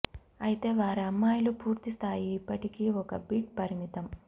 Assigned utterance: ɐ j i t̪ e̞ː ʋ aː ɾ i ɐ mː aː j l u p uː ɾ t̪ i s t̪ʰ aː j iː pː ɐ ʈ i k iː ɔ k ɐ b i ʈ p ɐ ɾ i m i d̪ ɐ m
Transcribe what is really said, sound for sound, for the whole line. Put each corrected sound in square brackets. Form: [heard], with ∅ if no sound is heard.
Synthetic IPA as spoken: ɐ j i t̪ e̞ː ʋ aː ɾ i ɐ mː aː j l u p uː ɾ t̪ i s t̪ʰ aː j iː pː ɐ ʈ i k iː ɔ k ɐ b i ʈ p ɐ ɾ i m i [t̪] ɐ m